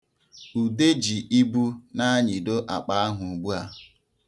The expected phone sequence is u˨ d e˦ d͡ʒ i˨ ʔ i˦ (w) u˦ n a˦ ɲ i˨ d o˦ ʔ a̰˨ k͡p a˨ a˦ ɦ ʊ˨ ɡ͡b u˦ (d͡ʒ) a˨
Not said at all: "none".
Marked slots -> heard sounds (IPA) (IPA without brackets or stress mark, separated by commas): b, none